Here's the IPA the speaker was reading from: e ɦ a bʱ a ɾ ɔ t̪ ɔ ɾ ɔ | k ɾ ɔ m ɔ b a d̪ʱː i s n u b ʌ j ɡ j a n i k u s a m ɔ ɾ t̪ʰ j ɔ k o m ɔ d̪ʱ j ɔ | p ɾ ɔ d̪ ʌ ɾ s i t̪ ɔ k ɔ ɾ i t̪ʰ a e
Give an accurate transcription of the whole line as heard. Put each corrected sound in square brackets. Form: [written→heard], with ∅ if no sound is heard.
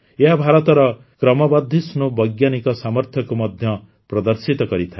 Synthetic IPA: e ɦ a bʱ a ɾ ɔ t̪ ɔ ɾ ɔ | k ɾ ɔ m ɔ b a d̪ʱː i s n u b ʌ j ɡ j a n i k [u→ɔ] s a m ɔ ɾ t̪ʰ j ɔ k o m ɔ d̪ʱ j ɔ | p ɾ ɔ d̪ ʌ ɾ s i t̪ ɔ k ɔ ɾ i t̪ʰ a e